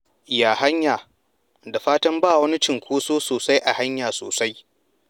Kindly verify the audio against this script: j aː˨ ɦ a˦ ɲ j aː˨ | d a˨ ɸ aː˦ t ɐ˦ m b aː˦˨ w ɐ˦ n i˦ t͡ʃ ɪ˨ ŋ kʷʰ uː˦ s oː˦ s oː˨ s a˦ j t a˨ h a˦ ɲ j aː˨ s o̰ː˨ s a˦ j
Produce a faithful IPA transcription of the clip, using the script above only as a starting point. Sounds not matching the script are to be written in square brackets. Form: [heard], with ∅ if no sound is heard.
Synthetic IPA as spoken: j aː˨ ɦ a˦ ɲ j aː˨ | d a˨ ɸ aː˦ t ɐ˦ m b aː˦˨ w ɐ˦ n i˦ t͡ʃ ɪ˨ ŋ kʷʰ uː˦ s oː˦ s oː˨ s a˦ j [ʔ] a˨ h a˦ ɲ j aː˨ s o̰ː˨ s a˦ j

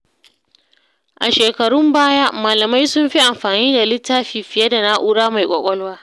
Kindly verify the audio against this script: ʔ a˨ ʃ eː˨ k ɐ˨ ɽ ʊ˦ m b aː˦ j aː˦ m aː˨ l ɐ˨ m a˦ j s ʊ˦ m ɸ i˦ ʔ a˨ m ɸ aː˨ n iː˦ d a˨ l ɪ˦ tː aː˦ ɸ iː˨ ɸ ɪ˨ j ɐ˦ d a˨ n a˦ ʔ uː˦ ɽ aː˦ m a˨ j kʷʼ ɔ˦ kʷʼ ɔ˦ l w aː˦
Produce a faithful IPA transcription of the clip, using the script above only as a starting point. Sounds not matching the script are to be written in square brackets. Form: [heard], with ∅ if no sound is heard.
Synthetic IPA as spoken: ʔ a˨ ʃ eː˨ k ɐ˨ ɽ ʊ˦ m b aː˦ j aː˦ m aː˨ l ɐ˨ m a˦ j s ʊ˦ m ɸ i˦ ʔ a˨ m ɸ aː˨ n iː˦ d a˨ l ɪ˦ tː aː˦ ɸ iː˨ ɸ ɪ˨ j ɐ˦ d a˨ n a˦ ʔ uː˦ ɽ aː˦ m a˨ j kʷʼ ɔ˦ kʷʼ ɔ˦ l w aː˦

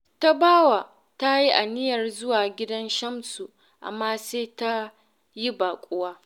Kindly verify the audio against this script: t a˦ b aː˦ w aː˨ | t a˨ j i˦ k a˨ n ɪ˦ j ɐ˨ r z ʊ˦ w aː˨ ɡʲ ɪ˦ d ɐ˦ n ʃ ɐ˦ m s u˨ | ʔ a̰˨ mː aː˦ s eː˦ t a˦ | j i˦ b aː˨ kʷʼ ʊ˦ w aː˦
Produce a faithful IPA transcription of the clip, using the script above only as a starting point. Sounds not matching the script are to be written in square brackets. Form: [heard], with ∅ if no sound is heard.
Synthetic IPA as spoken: t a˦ b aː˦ w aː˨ | t [a˦] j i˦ [ʔ] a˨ n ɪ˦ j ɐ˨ r z ʊ˦ w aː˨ ɡʲ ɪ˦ d ɐ˦ n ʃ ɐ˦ m s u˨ | ʔ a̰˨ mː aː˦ s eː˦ t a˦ | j i˦ b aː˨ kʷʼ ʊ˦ w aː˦

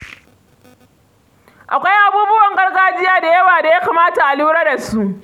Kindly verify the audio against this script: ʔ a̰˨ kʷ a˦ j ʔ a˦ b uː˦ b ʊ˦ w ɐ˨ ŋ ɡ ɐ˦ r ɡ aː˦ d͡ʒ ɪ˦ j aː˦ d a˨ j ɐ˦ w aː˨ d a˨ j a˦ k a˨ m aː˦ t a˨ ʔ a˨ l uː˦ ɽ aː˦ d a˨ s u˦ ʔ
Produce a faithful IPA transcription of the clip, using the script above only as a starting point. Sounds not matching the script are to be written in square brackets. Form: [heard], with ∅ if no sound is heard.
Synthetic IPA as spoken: ʔ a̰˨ kʷ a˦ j ʔ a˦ b uː˦ b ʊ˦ w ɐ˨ ŋ ɡ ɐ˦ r ɡ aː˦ d͡ʒ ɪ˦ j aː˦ d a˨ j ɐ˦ w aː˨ d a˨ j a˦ k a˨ m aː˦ t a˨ ʔ a˨ l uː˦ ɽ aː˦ d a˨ s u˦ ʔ

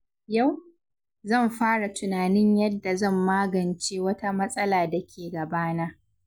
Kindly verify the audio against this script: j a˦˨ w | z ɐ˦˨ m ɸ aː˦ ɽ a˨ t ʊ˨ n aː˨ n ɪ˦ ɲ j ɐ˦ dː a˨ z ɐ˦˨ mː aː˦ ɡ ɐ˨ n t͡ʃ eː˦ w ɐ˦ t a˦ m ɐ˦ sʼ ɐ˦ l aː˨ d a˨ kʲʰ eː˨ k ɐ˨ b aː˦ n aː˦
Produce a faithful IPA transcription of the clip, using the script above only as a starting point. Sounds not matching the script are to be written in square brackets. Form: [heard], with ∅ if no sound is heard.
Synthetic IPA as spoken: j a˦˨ w | z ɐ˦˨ m ɸ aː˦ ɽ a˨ t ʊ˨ n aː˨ n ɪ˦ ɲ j ɐ˦ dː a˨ z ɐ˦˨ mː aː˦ ɡ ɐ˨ n t͡ʃ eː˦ w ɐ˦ t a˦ m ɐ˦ sʼ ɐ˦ l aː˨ d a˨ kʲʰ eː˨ [ɡ] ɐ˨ b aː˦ n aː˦

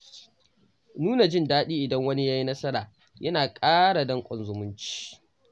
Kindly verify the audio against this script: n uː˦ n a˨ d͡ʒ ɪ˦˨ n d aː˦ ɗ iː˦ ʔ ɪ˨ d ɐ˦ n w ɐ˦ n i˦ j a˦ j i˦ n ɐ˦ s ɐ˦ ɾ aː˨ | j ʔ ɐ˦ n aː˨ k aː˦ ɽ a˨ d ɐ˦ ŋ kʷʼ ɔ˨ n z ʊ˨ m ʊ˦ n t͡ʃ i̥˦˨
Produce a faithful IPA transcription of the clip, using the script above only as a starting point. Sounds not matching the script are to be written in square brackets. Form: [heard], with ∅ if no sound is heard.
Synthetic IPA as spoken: n uː˦ n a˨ d͡ʒ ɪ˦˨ n d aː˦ ɗ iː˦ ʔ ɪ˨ d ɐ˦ [ŋ] w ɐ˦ n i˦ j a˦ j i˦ n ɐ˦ s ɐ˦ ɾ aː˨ | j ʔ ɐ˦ n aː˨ [kʼ] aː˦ ɽ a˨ d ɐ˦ ŋ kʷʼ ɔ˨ n z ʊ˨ m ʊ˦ n t͡ʃ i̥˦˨

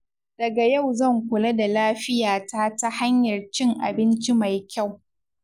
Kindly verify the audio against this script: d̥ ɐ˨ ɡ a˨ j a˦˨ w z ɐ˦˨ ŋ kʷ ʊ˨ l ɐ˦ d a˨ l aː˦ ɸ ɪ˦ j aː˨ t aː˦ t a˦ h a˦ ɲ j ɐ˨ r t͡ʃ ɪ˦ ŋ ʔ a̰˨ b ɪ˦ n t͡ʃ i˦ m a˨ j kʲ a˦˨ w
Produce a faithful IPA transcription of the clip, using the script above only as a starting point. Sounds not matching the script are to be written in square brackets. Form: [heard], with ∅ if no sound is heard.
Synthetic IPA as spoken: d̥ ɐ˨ ɡ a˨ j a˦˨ w z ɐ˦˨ ŋ kʷ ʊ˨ l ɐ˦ d a˨ l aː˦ ɸ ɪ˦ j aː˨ t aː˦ t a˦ h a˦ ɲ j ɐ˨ r t͡ʃ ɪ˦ ŋ ʔ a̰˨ b ɪ˦ n t͡ʃ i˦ m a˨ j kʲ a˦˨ w

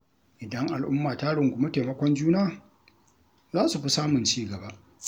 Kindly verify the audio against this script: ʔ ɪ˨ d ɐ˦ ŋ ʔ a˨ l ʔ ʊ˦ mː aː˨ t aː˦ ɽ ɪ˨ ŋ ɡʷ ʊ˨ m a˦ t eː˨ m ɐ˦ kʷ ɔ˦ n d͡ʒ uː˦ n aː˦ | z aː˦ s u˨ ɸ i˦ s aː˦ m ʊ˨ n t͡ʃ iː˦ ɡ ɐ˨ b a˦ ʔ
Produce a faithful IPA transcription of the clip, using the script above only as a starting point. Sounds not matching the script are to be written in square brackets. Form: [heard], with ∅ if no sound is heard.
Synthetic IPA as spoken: ʔ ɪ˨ d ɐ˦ ŋ ʔ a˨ l ʔ ʊ˦ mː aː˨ t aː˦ ɽ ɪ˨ ŋ ɡʷ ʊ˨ m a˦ t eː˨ m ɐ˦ kʷ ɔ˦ n d͡ʒ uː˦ n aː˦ | z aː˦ s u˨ ɸ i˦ s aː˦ m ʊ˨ n t͡ʃ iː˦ ɡ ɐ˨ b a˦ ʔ

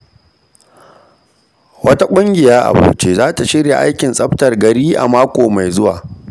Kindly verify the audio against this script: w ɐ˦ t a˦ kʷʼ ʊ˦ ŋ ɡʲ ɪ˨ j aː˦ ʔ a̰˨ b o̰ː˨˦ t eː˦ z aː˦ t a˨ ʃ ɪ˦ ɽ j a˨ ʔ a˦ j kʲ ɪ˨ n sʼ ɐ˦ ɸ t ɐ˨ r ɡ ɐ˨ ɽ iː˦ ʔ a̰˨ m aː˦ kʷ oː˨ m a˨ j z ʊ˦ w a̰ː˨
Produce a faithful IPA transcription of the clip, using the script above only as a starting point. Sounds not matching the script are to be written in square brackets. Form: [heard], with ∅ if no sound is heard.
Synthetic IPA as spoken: w ɐ˦ t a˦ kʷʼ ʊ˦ ŋ ɡʲ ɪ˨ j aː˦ ʔ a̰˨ b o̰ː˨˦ [t͡ʃ] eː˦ z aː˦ t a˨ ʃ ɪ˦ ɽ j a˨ ʔ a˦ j kʲ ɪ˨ n sʼ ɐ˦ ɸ t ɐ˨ r ɡ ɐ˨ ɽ iː˦ ʔ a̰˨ m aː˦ kʷ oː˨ m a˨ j z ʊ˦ w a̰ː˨

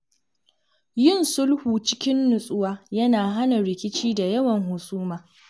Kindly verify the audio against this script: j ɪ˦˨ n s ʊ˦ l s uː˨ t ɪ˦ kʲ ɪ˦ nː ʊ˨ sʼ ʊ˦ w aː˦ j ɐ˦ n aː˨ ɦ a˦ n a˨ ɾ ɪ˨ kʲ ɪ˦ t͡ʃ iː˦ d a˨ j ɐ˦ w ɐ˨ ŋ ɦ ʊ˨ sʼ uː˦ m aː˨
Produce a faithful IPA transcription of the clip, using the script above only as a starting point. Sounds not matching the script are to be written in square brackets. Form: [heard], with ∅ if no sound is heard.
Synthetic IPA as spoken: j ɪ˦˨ n s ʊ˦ l [h] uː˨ [t͡ʃ] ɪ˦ kʲ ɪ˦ nː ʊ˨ sʼ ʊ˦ w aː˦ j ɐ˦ n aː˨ ɦ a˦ n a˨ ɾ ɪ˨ kʲ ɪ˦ t͡ʃ iː˦ d a˨ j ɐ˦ w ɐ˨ ŋ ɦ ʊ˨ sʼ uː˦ m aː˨

